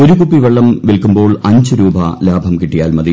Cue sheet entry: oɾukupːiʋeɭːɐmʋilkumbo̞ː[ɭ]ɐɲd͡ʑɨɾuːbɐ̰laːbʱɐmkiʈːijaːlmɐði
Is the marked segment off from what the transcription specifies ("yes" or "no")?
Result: no